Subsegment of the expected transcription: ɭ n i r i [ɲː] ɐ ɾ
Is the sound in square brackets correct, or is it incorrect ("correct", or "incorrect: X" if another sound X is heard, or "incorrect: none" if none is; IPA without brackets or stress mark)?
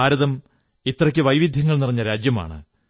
correct